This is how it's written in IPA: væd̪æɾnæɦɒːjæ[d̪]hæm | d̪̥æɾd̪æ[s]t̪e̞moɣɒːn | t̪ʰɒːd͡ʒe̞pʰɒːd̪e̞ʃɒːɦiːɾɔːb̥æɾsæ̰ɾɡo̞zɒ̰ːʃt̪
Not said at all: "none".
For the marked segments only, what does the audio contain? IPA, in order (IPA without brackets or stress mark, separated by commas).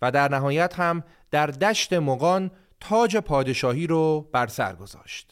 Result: t̪, ʃ